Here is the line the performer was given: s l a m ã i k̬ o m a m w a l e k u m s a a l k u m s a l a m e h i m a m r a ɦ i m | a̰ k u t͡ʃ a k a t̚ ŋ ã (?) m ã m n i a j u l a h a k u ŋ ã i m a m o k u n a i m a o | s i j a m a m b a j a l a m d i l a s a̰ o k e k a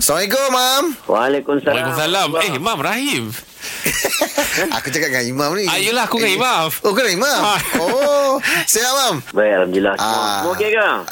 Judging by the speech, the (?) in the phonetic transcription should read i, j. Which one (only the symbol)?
i